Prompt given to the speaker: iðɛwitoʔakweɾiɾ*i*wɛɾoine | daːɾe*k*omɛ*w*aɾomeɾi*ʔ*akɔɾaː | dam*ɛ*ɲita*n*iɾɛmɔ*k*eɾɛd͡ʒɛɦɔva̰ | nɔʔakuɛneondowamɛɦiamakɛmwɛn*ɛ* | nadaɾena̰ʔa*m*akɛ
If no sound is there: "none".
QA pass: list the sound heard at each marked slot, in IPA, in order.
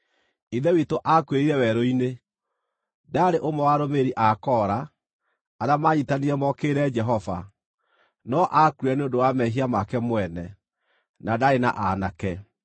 ɛ, ʔ, w, ʔ, a, n, k, ɛ, n

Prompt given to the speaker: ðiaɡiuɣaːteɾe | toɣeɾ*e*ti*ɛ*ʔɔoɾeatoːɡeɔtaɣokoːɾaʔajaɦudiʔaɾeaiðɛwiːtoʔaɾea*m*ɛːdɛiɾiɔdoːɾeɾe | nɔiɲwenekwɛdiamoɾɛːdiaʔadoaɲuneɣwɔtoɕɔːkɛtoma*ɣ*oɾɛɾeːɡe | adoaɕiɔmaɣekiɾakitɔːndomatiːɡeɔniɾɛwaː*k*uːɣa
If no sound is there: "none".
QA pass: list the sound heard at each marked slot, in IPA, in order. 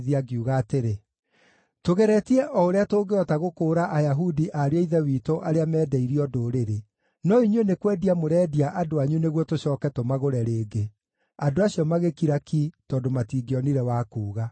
ɛ, ɛ, m, ɣ, k

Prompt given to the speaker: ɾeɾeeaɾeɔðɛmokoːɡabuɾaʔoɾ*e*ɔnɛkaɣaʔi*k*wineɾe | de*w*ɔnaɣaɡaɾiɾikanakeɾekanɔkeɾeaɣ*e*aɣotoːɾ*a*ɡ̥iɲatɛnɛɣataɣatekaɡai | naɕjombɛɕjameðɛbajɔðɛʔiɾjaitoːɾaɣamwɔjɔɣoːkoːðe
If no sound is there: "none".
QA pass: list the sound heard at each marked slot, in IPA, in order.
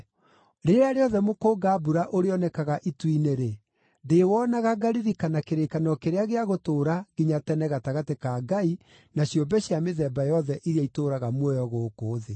e, t, w, e, a

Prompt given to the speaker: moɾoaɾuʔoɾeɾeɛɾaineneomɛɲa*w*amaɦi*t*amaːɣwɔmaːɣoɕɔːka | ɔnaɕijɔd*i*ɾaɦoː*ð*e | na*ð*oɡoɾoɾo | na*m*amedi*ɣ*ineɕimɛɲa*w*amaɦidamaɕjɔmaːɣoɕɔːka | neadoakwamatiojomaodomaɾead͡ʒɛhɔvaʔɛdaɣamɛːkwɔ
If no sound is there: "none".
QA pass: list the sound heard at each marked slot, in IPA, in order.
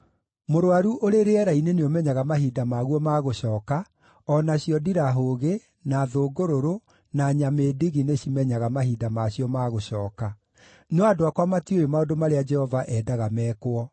ɣ, d, i, ɣ, ð, ɲ, ɣ, ɣ

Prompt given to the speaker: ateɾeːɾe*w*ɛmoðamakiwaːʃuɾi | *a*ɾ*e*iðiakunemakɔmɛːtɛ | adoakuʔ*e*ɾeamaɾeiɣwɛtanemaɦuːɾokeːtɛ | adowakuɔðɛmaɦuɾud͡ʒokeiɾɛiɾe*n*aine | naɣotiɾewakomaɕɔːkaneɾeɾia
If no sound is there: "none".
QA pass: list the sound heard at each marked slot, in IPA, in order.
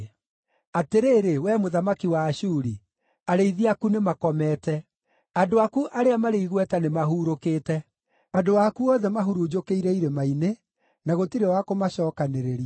w, a, e, a, m

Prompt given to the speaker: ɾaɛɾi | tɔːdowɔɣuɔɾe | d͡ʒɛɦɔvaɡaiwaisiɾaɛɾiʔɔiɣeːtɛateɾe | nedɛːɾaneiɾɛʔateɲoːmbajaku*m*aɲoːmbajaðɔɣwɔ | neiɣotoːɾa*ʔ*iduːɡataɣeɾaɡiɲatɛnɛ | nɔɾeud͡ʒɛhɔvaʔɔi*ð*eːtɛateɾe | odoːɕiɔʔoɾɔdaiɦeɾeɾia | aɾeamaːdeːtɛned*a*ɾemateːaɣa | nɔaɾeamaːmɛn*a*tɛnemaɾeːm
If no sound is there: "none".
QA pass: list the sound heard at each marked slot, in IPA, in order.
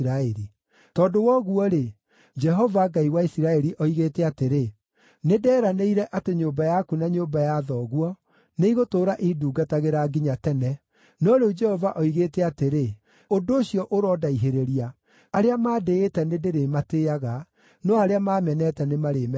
n, ʔ, ɣ, e, ɛ

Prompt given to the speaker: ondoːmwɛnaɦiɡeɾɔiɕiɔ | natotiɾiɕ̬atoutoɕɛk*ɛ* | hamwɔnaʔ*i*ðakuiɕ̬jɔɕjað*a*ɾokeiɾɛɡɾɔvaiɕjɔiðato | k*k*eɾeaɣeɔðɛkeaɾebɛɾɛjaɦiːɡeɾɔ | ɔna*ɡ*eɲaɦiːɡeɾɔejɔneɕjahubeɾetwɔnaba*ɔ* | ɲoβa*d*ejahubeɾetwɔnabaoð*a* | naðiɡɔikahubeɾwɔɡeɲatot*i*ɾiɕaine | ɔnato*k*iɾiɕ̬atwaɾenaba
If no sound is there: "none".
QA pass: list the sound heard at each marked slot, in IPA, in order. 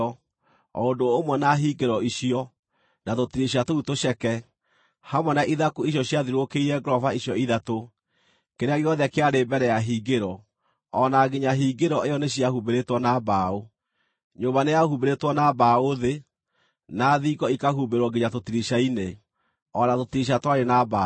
ɛ, i, i, k, ɡ, o, n, e, i, t

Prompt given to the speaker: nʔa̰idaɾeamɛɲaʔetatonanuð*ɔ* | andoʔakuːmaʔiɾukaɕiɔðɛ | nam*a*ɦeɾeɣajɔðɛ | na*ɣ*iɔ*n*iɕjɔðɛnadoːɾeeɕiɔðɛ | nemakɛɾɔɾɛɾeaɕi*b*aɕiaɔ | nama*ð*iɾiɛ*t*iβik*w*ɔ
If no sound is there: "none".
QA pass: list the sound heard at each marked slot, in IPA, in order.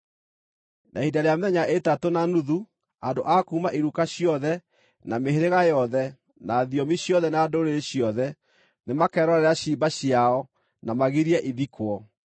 u, e, ð, m, b, ɣ, ʔ, w

